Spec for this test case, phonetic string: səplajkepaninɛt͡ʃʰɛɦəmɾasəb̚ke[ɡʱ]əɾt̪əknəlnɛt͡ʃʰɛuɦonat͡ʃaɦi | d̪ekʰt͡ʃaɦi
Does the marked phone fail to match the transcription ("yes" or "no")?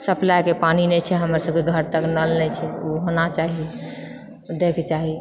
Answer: no